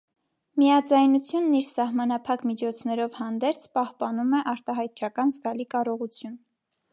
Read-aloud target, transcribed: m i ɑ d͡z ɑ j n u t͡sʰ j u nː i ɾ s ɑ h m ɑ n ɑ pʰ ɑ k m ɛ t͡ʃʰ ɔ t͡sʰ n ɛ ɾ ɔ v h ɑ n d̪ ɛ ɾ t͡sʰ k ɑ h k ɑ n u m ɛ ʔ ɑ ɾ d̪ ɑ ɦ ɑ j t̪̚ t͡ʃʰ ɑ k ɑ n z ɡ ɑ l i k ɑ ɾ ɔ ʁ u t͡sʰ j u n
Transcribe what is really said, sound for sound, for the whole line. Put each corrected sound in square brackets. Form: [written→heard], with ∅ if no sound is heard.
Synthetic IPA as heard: m i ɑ d͡z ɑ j n u t͡sʰ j u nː i ɾ s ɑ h m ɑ n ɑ pʰ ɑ k m [ɛ→i] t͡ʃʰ ɔ t͡sʰ n ɛ ɾ ɔ v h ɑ n d̪ ɛ ɾ t͡sʰ [k→p] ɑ h [k→p] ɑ n u m ɛ ʔ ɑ ɾ [d̪→t̪] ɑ ɦ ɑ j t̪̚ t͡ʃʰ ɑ k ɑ n z ɡ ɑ l i k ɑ ɾ ɔ ʁ u t͡sʰ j u n